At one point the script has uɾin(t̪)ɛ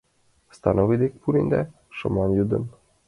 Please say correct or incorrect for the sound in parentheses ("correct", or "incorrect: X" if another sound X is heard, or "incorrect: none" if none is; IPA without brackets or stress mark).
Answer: incorrect: d̪